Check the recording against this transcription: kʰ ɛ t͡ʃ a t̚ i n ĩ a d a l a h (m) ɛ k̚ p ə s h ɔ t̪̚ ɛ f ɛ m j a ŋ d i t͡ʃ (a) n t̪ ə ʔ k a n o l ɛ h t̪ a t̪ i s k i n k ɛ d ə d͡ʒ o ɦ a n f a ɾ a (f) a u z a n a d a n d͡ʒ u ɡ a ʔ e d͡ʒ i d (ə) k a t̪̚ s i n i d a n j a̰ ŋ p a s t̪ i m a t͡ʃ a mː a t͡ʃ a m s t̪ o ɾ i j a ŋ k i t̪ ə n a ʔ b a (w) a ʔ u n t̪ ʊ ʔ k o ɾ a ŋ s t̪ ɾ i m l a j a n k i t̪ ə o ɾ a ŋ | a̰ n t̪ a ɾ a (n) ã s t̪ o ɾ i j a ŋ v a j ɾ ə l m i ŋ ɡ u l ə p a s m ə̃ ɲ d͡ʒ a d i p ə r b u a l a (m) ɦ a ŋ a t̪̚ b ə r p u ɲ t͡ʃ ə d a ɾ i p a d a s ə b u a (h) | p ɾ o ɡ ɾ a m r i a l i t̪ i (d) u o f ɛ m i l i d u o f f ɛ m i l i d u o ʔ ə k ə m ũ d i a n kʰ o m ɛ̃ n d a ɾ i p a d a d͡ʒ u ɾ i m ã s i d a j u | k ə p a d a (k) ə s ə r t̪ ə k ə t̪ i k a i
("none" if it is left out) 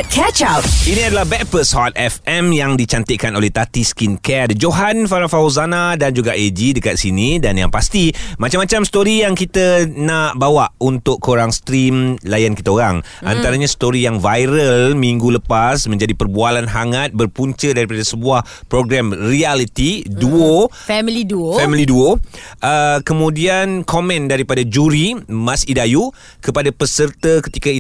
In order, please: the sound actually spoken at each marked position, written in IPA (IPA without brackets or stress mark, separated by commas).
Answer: b, a, f, ə, w, ɲ, n, h, d, p